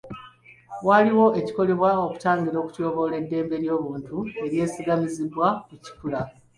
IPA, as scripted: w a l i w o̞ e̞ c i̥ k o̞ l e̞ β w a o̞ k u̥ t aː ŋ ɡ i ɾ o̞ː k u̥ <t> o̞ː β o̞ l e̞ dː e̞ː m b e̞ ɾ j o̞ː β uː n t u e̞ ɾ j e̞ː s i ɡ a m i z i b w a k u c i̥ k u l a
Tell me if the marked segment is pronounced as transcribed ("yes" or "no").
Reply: no